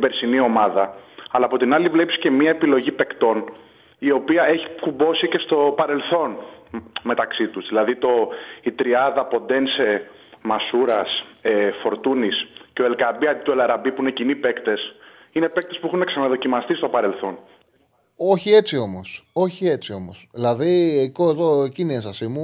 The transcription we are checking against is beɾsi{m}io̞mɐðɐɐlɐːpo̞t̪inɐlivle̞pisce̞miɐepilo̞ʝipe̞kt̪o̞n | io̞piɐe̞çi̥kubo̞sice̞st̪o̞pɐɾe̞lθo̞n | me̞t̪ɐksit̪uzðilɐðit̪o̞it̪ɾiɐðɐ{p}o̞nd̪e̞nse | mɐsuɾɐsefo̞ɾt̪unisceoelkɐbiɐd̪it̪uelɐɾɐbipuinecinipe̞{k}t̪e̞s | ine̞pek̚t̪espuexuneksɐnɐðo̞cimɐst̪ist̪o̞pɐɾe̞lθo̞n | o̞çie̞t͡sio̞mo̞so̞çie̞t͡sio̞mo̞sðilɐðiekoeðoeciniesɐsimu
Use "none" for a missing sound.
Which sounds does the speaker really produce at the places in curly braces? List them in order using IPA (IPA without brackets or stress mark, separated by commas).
n, p, k